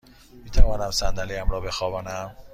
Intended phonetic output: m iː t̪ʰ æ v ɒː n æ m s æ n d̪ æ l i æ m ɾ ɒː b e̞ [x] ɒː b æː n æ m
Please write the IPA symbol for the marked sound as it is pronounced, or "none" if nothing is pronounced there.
x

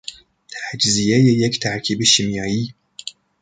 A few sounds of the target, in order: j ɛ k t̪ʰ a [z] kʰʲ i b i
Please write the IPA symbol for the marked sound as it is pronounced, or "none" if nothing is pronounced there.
ʕ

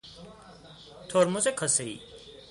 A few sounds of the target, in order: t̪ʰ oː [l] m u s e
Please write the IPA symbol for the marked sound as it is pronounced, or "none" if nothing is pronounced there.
ɾ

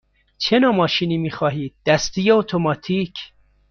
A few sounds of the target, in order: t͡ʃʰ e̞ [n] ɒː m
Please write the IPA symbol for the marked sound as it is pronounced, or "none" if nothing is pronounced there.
n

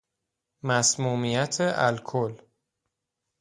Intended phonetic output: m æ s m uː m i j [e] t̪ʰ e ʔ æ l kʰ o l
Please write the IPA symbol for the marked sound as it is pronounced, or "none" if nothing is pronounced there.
æ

